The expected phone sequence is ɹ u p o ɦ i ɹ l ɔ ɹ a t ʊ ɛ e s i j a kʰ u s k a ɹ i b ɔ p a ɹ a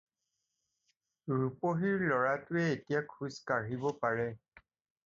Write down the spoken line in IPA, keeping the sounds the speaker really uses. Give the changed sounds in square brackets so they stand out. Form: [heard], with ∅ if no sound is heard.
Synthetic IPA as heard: ɹ u p o ɦ i ɹ l ɔ ɹ a t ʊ ɛ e [t] i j a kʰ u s k a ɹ i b ɔ p a ɹ [ɛ]